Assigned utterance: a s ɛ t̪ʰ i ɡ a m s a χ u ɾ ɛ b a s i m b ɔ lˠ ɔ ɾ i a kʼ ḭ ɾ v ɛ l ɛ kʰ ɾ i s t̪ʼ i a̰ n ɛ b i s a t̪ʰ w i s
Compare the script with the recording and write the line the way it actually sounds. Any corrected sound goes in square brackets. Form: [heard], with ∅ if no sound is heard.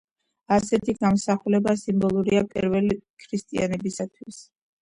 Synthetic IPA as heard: a s ɛ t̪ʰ i ɡ a m s a χ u [l] ɛ b a s i m b ɔ lˠ [u] ɾ i a [pʼ] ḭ ɾ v ɛ l [i] kʰ ɾ i s t̪ʼ i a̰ n ɛ b i s a t̪ʰ w i s